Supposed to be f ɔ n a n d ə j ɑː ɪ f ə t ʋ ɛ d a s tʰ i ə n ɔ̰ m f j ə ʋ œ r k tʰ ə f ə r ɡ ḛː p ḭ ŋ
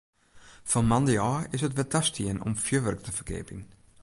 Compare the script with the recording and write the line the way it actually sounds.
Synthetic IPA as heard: f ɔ m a n d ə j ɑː ɪ s ə t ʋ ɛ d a s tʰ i ə n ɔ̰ m f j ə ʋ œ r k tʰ ə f ə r ɡ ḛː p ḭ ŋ